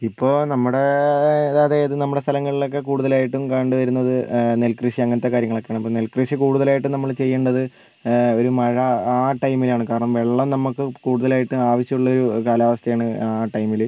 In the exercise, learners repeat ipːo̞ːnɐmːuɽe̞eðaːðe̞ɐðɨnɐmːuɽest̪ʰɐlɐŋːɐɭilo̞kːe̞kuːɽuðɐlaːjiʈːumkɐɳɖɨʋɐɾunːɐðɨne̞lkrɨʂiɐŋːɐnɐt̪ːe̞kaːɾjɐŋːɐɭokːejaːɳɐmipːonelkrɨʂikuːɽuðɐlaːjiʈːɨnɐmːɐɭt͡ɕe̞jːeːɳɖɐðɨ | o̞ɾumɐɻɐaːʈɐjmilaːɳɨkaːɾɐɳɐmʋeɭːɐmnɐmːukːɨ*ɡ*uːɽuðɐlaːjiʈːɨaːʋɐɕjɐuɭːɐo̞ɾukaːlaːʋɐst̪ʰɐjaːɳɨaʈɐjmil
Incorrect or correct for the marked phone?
incorrect: k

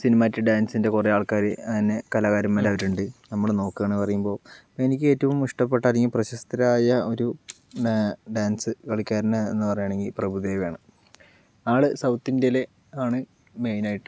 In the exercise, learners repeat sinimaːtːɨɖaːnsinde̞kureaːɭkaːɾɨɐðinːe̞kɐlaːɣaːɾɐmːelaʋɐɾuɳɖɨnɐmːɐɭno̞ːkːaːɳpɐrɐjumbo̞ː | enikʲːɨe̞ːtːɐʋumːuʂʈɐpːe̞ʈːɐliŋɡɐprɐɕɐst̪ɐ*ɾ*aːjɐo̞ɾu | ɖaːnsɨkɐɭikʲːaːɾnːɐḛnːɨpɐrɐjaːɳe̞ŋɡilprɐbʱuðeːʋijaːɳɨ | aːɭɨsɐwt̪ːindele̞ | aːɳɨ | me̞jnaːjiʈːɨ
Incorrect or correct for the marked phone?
correct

